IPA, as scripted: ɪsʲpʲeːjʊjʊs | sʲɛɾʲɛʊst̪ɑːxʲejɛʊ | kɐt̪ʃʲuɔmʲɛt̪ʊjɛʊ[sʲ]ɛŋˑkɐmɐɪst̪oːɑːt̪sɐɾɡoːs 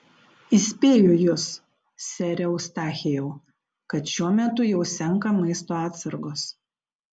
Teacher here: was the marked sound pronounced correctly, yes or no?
yes